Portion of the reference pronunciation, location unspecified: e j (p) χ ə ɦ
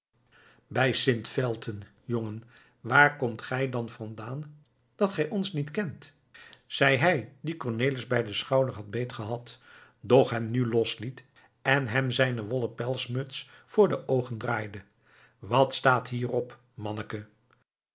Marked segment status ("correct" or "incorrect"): incorrect